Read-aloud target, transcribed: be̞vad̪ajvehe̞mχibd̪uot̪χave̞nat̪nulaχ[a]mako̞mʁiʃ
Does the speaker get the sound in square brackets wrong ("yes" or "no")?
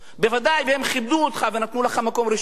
no